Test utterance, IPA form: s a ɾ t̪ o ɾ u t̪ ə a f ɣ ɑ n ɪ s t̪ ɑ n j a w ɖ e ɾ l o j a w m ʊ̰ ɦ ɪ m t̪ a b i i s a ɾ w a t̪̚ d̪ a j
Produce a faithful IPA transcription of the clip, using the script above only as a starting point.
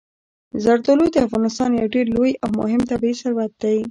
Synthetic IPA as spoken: z a ɾ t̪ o l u d̪ ə a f ɣ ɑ n ɪ s t̪ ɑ n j a w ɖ e ɾ l o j a w m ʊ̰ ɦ ɪ m t̪ a b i i s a ɾ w a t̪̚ d̪ a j

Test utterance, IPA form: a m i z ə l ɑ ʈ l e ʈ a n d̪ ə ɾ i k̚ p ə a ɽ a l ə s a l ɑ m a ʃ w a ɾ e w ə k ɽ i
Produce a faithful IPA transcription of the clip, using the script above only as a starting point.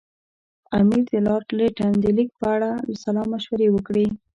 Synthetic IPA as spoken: a m i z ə l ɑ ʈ l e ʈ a n d̪ ə l i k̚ p ə a ɽ a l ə s a l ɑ m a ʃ w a ɾ e w ə k ɽ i

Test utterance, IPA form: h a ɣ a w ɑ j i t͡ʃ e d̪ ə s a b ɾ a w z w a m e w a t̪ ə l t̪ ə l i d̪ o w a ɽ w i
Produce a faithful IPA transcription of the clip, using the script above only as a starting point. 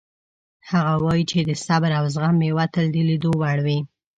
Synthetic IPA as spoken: h a ɣ a w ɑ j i t͡ʃ e d̪ ə s a b ɾ a w z ɣ a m e w a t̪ ə l d̪ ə l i d̪ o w a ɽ w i

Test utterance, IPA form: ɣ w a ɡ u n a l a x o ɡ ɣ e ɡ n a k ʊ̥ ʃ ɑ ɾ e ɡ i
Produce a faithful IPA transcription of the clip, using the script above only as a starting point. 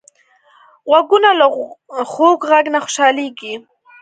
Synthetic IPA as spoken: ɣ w a ɡ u n a l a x o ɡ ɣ a ɡ n a x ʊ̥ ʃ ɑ l e ɡ i

